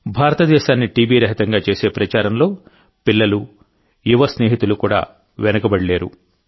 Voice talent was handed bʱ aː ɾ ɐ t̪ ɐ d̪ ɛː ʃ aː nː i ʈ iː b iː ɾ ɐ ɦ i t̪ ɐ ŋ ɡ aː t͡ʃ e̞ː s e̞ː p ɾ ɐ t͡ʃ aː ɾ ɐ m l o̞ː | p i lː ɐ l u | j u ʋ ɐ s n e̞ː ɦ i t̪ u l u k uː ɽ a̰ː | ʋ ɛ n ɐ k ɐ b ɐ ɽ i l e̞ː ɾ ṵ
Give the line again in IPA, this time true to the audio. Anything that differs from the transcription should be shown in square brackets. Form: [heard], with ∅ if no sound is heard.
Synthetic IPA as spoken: bʱ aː ɾ ɐ t̪ ɐ d̪ ɛː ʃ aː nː i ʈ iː b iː ɾ ɐ ɦ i t̪ ɐ ŋ ɡ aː t͡ʃ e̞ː s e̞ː p ɾ ɐ t͡ʃ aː ɾ ɐ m l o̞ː | p i lː ɐ l u | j u ʋ ɐ s n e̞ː ɦ i t̪ u l u k uː ɽ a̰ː | ʋ ɛ n ɐ k ɐ b ɐ ɽ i l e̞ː ɾ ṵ